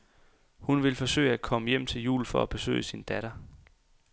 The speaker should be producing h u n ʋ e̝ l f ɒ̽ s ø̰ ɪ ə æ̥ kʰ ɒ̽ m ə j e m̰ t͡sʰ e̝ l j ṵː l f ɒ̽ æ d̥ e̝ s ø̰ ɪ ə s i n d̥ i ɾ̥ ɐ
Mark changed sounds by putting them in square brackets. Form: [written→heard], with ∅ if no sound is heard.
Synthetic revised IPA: h u n ʋ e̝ l f ɒ̽ s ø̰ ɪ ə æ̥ kʰ ɒ̽ m ə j e m̰ t͡sʰ e̝ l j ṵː l f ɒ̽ æ [d̥→b̥] e̝ s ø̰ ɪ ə s i n d̥ [i→æ] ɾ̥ ɐ